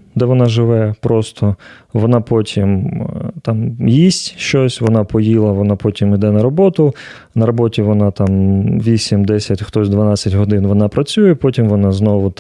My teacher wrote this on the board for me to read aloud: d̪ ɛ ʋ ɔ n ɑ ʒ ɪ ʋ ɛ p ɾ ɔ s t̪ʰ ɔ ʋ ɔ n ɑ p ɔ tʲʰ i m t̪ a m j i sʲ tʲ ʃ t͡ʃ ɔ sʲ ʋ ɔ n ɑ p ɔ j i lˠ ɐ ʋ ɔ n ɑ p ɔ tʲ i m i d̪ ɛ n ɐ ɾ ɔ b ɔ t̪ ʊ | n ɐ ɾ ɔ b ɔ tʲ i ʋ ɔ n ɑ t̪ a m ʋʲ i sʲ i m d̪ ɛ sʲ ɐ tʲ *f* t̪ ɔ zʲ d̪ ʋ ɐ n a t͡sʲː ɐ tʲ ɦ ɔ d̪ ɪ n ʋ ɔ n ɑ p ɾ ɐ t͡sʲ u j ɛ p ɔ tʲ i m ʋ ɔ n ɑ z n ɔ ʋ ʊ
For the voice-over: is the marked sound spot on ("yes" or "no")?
no